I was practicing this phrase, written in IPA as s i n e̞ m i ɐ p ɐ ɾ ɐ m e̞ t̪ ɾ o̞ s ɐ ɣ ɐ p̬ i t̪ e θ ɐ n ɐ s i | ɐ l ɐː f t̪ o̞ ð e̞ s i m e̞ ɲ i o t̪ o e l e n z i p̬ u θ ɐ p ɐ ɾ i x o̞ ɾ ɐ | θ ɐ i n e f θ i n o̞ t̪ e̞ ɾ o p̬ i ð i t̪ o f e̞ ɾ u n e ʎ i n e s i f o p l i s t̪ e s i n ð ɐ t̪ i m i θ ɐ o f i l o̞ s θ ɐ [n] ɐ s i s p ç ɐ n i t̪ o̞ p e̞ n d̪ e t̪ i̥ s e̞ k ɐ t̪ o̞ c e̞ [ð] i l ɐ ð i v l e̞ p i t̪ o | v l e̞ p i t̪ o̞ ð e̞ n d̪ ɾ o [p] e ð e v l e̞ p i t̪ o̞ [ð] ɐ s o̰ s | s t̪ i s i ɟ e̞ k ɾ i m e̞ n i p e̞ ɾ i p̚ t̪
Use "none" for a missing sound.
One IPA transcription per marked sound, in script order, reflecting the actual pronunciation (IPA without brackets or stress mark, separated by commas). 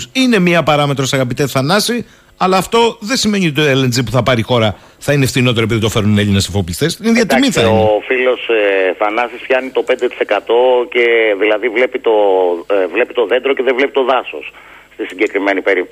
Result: n, ð, c, ð